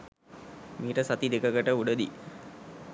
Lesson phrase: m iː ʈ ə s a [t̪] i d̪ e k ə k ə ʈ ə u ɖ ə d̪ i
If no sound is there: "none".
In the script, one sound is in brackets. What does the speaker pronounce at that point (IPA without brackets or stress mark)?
t̪